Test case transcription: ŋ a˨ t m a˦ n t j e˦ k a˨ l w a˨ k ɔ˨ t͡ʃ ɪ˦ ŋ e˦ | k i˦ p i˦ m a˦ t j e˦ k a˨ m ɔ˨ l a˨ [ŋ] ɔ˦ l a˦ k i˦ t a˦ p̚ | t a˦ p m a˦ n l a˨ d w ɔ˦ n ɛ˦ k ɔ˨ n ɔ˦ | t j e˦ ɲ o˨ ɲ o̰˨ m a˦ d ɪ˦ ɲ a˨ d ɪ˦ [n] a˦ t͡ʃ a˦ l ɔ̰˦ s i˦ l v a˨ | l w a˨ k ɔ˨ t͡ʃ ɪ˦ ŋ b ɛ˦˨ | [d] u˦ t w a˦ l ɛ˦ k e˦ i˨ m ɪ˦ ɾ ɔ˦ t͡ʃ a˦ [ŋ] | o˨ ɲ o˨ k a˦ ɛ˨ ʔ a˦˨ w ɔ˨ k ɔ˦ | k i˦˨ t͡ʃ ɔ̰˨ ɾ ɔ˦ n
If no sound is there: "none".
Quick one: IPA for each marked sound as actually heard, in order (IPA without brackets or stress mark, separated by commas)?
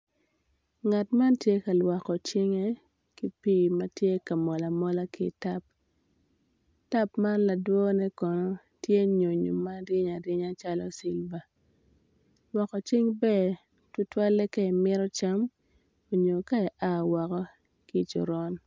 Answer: m, ɲ, t, m